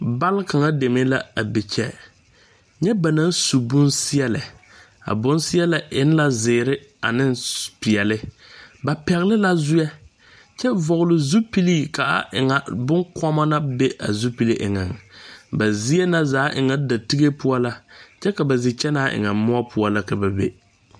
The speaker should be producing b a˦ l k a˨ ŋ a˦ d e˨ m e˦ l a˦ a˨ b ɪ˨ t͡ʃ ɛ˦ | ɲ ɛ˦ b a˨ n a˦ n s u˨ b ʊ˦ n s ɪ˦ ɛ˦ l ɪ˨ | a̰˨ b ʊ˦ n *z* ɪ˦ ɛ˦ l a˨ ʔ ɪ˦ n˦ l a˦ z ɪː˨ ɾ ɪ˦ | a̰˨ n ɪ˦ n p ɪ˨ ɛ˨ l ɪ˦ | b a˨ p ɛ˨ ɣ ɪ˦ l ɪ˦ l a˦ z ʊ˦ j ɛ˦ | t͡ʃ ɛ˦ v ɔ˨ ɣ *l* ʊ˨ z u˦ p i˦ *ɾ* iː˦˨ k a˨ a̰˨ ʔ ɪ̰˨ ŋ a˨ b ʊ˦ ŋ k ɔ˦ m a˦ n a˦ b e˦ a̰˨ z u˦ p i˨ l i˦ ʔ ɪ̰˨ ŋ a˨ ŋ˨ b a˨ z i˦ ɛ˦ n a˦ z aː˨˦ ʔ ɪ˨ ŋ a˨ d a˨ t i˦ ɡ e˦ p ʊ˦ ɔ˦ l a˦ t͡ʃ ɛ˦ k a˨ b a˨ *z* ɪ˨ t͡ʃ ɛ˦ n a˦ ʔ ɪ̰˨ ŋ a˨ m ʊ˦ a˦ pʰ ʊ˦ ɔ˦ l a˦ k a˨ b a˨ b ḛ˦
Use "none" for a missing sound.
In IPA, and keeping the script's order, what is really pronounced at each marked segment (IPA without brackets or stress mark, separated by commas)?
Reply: s, l, l, z